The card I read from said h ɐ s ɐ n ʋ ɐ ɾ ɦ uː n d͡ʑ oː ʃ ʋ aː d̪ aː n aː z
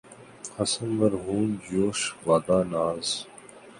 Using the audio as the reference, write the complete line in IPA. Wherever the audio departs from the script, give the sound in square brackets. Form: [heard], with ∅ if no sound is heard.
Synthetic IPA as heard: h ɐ s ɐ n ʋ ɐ ɾ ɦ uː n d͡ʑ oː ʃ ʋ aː d̪ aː n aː z